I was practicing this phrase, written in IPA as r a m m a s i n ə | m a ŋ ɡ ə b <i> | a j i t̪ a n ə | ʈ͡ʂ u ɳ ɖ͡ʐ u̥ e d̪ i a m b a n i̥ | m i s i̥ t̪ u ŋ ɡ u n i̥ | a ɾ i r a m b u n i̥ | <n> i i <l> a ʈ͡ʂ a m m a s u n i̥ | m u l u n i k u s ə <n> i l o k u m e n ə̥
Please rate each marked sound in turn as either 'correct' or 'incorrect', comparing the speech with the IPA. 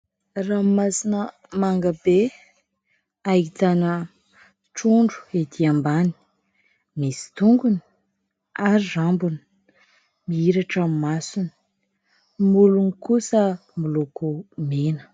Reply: incorrect: e, incorrect: m, incorrect: ɾ, incorrect: m

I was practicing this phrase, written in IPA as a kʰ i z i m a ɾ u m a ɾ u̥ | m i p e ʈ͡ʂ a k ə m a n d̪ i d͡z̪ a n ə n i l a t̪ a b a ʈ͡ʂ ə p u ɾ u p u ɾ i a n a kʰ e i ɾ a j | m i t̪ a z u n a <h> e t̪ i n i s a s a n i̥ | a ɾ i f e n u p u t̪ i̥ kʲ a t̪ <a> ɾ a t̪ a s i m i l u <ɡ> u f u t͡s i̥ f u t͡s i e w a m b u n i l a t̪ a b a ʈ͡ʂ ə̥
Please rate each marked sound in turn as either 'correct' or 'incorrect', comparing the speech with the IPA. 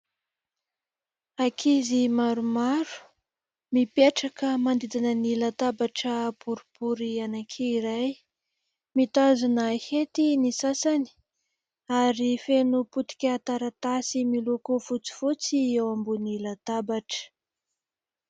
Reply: correct, correct, incorrect: k

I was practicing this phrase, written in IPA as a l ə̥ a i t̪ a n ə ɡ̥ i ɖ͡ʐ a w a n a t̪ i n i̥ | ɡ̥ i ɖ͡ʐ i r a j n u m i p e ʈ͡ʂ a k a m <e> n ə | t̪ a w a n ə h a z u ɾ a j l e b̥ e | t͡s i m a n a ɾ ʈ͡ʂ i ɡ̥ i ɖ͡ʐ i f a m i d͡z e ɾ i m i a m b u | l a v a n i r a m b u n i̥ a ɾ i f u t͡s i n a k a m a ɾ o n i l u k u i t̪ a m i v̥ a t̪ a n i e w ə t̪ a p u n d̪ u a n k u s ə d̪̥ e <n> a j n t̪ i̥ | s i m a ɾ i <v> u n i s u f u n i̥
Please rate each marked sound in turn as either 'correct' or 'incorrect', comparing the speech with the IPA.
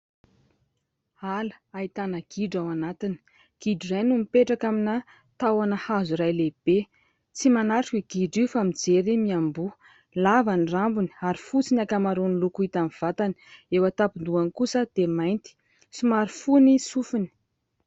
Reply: incorrect: i, incorrect: m, incorrect: f

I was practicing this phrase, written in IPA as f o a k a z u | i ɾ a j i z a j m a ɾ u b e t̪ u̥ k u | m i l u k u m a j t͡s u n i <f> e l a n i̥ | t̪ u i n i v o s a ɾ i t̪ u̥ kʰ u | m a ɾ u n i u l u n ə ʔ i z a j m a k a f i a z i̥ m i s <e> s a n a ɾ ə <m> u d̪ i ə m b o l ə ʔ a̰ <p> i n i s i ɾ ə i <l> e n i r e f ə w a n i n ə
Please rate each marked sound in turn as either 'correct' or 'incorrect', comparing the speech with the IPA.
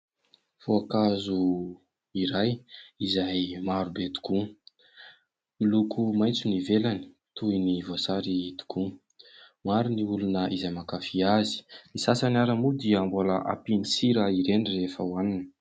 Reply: incorrect: v, incorrect: a, correct, correct, incorrect: ɾ

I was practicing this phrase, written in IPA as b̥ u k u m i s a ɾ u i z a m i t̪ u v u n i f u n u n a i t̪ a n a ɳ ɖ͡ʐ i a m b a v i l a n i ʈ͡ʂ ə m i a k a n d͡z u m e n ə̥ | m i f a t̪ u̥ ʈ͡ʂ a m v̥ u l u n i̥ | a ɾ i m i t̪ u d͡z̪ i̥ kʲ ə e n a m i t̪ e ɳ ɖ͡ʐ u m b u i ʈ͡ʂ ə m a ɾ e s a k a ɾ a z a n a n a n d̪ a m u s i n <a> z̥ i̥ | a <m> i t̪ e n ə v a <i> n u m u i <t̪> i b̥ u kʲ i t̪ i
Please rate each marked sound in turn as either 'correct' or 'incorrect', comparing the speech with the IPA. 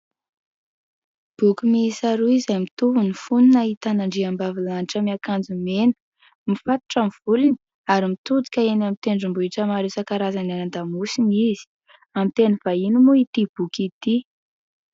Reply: incorrect: i, correct, correct, correct

